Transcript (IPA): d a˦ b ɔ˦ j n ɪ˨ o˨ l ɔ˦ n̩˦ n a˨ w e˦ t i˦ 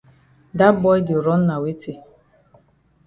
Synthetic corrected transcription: d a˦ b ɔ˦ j d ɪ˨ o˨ ɾ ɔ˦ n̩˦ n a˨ w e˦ t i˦